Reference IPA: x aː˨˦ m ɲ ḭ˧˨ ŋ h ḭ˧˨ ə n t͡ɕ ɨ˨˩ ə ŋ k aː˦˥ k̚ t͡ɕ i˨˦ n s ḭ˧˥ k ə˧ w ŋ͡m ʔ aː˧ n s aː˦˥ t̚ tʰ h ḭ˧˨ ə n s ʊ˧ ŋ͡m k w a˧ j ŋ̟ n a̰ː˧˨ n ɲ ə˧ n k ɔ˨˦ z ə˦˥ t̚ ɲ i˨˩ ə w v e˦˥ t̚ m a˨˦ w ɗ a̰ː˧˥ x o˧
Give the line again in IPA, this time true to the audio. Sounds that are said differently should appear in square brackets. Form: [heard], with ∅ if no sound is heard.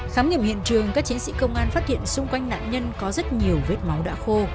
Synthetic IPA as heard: x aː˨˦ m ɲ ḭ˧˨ [m] h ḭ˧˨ ə n t͡ɕ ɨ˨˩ ə ŋ k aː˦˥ k̚ t͡ɕ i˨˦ n s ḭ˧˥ k ə˧ w ŋ͡m ʔ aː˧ n [f] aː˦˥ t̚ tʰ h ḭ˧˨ ə n s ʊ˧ ŋ͡m k w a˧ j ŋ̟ n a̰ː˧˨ n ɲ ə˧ n k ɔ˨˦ z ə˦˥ t̚ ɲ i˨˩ ə w v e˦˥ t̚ m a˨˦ w ɗ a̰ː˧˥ x o˧